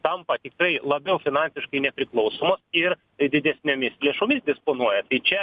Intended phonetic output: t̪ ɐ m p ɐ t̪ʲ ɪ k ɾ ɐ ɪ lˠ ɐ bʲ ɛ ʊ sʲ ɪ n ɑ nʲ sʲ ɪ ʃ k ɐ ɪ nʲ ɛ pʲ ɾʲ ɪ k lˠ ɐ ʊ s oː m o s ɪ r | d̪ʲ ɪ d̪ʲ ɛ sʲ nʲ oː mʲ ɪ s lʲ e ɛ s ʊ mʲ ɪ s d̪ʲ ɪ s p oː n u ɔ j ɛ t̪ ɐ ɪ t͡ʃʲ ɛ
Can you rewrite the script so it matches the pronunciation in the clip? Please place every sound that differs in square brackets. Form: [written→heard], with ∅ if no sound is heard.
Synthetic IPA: t̪ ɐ m p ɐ t̪ʲ ɪ k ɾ ɐ ɪ lˠ ɐ bʲ ɛ ʊ [sʲ→fʲ] ɪ n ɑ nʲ sʲ ɪ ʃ k ɐ ɪ nʲ ɛ pʲ ɾʲ ɪ k lˠ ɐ ʊ s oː m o s ɪ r | d̪ʲ ɪ d̪ʲ ɛ sʲ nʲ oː mʲ ɪ s lʲ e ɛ [s→ʃ] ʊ mʲ ɪ s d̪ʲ ɪ s p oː n u ɔ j ɛ t̪ ɐ ɪ t͡ʃʲ ɛ